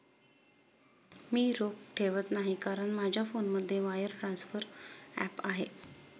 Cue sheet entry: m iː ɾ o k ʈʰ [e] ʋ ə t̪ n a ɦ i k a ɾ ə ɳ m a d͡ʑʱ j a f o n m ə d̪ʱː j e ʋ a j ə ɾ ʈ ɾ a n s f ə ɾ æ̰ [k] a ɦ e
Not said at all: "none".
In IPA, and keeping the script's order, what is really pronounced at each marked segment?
e, p

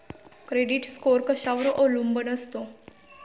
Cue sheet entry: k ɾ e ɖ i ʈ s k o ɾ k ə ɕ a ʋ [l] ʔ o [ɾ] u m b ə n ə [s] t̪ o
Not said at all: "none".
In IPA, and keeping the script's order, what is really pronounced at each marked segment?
ɾ, l, s

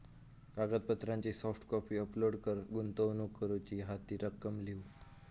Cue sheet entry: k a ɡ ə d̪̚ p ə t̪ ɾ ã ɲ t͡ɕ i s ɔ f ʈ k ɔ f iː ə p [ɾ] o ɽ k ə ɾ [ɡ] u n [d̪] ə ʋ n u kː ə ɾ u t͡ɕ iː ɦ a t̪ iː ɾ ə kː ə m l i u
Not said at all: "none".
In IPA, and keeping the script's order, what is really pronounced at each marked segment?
l, ɡ, t̪

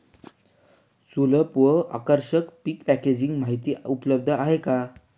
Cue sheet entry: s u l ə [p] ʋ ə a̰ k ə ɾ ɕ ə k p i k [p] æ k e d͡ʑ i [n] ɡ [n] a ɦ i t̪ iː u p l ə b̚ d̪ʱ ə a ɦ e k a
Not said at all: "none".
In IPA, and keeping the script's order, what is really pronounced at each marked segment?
p, p, ŋ, m

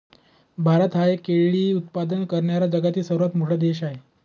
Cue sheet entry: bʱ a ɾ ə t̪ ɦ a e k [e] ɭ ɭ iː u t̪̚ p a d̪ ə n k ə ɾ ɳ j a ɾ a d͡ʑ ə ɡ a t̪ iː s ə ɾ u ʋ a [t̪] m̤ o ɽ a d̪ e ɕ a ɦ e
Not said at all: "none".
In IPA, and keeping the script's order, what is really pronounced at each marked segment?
e, t̪

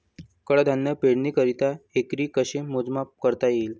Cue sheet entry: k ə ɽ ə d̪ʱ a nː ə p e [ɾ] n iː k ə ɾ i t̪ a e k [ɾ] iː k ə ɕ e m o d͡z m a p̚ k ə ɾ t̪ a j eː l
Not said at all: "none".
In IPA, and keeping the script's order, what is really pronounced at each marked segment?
ɽ, ɾ

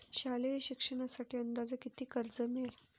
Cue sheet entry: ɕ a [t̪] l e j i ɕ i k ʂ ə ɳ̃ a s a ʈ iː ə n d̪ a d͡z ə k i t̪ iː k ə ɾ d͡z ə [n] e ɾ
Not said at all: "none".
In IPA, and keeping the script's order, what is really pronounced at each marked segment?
none, m

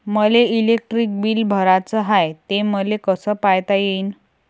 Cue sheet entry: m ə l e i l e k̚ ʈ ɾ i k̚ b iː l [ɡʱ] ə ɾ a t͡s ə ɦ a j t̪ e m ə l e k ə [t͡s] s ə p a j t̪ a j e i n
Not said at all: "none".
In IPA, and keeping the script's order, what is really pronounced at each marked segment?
bʱ, none

